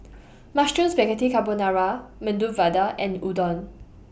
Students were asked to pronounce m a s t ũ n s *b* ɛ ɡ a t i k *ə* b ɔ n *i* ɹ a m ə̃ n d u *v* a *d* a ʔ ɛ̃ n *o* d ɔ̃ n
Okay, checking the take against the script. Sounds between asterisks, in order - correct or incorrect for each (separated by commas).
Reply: correct, incorrect, incorrect, correct, correct, incorrect